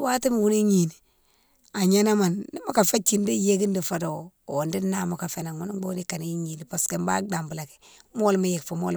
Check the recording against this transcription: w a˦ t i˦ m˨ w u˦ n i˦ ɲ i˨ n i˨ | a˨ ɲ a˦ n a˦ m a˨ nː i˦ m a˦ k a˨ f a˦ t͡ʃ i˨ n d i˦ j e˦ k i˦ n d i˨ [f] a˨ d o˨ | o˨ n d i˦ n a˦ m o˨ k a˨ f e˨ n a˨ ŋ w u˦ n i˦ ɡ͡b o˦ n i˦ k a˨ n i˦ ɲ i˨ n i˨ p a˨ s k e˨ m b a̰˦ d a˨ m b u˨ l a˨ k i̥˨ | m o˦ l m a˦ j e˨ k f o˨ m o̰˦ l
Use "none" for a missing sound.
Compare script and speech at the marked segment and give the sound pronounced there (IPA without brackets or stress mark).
f